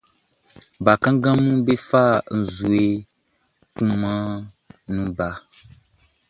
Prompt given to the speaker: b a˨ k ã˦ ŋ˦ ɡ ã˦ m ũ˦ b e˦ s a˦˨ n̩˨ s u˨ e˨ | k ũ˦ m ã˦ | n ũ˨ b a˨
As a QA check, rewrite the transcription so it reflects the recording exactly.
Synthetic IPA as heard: b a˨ k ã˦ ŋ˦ ɡ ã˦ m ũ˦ b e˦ f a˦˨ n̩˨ z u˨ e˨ | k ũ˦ m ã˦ | n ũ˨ b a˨